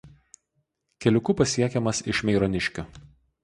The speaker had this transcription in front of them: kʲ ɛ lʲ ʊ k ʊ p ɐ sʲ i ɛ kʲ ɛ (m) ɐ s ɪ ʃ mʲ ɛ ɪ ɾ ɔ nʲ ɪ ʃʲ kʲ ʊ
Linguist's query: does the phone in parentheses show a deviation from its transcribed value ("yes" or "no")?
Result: no